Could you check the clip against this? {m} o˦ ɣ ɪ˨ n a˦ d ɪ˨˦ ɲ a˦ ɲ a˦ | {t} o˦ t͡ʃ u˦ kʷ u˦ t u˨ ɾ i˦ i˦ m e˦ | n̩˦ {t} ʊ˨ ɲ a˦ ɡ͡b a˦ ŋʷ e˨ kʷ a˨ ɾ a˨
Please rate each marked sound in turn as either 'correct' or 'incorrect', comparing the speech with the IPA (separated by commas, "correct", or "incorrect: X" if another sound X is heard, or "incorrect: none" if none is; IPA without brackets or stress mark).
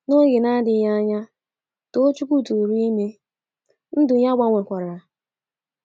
incorrect: n, correct, incorrect: d